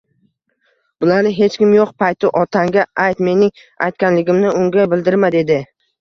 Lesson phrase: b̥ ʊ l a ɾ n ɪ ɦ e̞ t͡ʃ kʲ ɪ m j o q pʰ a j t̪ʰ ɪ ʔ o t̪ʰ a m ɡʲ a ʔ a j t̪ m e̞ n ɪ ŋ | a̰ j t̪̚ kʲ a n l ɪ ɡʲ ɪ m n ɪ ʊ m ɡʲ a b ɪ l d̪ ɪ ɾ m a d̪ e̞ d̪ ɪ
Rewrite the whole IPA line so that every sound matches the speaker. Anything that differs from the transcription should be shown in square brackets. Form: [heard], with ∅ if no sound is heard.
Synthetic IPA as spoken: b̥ ʊ l a ɾ n ɪ ɦ e̞ t͡ʃ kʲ ɪ m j o q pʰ a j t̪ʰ ɪ ʔ [ɒ] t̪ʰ a [ŋ] ɡʲ a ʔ a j t̪ m e̞ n ɪ ŋ | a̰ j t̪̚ kʲ a n l ɪ ɡʲ ɪ m n ɪ ʊ [ŋ] ɡʲ a b ɪ l d̪ ɪ ɾ m a d̪ e̞ d̪ ɪ